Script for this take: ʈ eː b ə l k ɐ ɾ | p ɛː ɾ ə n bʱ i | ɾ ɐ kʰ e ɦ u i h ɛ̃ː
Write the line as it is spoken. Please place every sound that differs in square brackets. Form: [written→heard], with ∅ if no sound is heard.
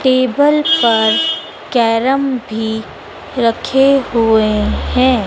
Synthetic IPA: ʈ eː b ə l [k→p] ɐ ɾ | [p→k] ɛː ɾ ə [n→m] bʱ i | ɾ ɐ kʰ e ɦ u [i→e] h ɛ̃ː